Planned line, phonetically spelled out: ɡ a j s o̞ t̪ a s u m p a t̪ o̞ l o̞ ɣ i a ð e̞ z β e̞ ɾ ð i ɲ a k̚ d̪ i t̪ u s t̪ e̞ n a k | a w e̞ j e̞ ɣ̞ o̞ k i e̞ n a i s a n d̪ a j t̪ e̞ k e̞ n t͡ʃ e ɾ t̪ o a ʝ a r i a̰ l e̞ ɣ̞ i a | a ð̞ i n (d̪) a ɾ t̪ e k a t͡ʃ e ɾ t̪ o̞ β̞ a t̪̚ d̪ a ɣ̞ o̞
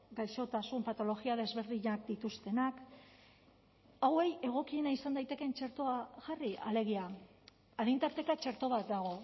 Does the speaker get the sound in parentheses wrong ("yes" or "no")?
yes